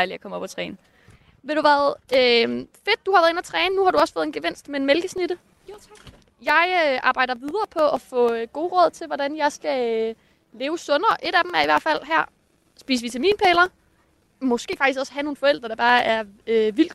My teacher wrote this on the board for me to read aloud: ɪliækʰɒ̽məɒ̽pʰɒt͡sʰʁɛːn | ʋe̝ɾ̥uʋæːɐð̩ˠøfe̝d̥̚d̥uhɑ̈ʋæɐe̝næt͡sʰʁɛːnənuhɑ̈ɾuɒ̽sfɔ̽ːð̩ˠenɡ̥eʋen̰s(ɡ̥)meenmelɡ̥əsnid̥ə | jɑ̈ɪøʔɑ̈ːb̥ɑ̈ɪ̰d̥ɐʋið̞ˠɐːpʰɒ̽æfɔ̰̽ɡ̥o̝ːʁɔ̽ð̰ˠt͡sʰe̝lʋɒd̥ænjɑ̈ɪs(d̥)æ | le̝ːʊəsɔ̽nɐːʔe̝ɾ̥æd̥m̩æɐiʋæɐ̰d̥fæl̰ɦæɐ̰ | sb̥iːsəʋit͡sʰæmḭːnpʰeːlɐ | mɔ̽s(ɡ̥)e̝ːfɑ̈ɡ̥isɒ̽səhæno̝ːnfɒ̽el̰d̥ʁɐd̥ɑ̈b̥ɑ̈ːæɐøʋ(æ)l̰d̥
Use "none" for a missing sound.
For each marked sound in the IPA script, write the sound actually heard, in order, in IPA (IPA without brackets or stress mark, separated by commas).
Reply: d̥, ɡ̥, ɡ̥, i